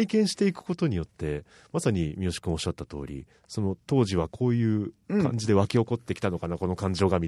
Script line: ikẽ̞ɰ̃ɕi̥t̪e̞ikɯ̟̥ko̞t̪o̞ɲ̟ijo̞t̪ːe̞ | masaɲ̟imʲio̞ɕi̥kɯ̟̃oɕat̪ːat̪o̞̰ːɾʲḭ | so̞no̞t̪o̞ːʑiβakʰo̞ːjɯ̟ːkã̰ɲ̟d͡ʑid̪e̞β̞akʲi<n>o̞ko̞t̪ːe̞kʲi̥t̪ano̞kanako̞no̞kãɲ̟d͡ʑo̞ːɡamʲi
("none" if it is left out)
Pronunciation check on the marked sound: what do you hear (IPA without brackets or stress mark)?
none